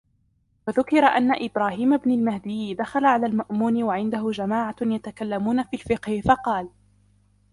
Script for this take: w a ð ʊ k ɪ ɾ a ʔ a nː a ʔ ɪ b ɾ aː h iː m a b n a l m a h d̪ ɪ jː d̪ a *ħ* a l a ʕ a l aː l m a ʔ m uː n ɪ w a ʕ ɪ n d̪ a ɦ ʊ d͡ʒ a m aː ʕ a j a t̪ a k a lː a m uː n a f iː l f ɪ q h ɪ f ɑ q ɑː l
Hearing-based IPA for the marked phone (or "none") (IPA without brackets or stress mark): x